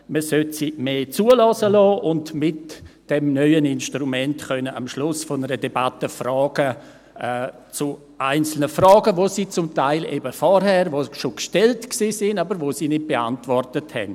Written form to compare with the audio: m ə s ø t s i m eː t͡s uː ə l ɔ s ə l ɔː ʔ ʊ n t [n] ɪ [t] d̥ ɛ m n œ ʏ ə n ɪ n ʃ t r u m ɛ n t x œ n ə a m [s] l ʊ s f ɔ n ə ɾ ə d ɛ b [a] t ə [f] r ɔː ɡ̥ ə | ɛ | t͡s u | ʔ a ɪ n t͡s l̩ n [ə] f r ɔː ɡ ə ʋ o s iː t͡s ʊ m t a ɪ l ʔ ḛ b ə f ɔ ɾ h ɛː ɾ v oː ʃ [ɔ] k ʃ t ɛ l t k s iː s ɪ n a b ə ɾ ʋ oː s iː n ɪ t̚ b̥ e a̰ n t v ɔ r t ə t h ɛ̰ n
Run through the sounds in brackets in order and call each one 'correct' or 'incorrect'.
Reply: incorrect: m, correct, incorrect: ʃ, correct, correct, correct, incorrect: o

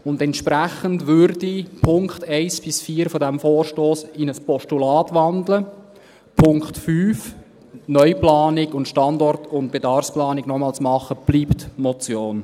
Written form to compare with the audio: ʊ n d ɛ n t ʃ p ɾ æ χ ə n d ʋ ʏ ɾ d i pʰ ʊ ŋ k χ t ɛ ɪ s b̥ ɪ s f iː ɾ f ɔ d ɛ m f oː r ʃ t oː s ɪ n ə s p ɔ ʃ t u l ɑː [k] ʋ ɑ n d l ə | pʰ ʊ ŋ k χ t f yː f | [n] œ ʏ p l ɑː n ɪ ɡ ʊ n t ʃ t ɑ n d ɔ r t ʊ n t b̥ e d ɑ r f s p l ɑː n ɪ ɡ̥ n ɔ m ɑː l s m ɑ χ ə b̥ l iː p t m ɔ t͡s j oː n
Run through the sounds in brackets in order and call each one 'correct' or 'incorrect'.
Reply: incorrect: t, correct

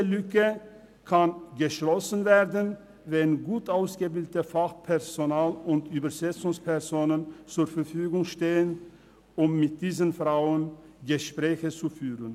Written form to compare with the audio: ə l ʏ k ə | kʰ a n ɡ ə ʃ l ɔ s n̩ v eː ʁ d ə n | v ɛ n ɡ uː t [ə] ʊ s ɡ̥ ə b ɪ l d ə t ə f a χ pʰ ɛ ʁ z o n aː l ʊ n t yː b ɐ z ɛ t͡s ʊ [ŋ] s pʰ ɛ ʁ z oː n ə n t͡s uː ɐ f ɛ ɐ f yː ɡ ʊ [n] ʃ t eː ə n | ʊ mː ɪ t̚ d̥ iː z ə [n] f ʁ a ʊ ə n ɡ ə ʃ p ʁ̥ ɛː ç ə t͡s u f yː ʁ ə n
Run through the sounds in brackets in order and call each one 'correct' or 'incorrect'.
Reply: incorrect: a, correct, incorrect: ŋ, correct

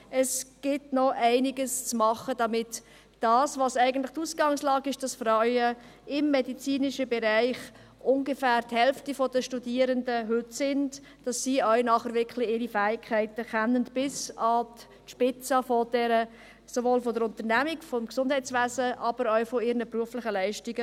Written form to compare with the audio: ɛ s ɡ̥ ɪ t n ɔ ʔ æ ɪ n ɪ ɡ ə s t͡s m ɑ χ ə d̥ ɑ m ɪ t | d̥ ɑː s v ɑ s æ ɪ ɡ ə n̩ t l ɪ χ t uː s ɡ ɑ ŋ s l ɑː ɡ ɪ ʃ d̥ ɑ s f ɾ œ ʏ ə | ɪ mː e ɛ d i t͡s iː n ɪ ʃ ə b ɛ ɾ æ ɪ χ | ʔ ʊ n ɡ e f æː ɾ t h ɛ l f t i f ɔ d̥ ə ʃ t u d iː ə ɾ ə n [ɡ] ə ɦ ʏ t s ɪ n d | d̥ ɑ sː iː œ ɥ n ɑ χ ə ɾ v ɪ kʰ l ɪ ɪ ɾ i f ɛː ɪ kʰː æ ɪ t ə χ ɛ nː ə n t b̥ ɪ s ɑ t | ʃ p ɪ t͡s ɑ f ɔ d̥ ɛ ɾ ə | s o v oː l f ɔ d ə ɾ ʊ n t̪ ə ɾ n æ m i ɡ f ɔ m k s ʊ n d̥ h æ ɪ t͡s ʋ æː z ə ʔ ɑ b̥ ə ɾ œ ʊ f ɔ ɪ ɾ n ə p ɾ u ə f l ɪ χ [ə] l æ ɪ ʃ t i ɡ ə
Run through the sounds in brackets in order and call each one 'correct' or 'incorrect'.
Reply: incorrect: d, correct

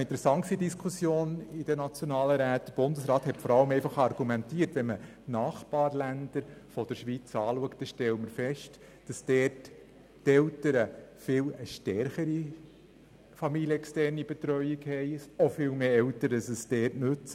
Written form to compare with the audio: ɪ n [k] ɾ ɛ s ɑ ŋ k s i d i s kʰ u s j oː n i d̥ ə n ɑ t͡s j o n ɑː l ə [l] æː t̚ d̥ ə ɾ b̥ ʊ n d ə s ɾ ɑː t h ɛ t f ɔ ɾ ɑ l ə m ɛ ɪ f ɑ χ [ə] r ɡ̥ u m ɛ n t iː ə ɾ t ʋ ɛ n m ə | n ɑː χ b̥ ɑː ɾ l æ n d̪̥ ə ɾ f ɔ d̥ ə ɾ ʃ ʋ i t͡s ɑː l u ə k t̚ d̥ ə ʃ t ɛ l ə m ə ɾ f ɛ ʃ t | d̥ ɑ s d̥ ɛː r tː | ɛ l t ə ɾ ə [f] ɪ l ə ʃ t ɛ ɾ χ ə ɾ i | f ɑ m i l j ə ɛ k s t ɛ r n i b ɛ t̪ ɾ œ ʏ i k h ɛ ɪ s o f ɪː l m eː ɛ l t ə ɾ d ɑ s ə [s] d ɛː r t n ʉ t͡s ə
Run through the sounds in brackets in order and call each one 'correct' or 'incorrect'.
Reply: incorrect: t, incorrect: ɾ, incorrect: ɑ, correct, correct

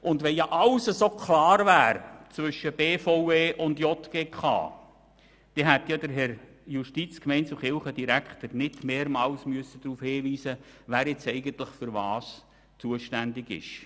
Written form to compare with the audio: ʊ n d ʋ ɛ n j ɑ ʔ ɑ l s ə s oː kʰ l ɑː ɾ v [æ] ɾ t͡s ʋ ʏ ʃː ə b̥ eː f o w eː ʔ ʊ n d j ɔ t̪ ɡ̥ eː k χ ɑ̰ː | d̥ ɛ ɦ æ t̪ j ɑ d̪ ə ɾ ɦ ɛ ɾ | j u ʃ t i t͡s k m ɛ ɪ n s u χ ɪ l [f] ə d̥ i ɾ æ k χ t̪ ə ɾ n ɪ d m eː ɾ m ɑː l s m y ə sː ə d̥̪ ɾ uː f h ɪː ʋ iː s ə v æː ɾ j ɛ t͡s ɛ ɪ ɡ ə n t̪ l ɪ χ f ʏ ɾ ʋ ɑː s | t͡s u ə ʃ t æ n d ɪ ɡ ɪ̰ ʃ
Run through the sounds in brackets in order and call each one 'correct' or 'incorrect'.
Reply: incorrect: æː, incorrect: χ

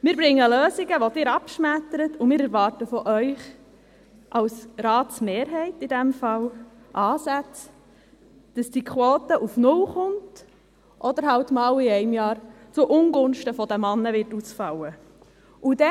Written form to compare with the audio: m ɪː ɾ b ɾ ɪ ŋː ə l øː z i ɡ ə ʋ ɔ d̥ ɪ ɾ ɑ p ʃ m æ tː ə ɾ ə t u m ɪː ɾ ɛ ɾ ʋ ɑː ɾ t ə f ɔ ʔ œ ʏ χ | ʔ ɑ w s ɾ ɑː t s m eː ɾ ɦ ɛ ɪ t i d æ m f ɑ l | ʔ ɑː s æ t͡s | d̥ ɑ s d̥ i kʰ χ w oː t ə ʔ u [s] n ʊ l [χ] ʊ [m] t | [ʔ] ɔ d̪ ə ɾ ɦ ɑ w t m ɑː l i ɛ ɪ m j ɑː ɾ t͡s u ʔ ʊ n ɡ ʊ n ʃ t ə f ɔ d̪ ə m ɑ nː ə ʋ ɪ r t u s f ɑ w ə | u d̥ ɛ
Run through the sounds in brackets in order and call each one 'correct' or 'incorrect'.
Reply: incorrect: f, correct, incorrect: n, correct

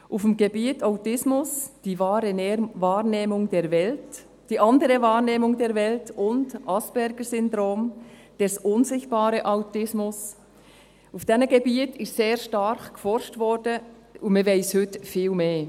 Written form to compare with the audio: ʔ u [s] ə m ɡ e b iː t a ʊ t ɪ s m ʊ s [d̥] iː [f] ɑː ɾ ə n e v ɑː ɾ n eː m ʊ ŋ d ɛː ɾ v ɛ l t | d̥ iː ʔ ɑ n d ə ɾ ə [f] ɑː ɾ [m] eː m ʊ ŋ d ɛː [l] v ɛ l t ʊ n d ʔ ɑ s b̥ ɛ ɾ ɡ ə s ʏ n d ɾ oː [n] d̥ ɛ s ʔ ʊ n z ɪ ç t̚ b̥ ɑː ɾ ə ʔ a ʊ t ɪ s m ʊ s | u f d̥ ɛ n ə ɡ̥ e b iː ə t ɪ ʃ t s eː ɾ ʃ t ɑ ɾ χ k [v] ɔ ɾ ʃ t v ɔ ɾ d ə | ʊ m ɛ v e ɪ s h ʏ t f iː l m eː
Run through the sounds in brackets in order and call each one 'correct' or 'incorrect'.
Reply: incorrect: f, correct, incorrect: v, incorrect: v, incorrect: n, incorrect: ɾ, incorrect: m, incorrect: f

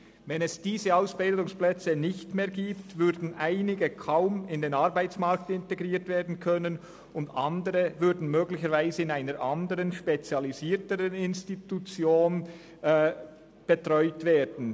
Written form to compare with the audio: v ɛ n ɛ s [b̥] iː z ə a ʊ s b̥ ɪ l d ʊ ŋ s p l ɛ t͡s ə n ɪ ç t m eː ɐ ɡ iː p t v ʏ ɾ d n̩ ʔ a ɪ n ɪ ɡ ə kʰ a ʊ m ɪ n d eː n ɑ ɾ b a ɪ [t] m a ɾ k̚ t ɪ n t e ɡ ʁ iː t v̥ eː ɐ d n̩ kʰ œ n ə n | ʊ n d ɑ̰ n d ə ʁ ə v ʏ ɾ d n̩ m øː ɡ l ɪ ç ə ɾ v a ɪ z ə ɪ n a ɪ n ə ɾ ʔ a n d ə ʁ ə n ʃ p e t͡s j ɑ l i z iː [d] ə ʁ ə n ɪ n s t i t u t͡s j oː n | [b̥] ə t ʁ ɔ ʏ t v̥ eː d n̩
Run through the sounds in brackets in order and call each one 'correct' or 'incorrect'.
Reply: incorrect: d̥, incorrect: t͡s, incorrect: t, correct

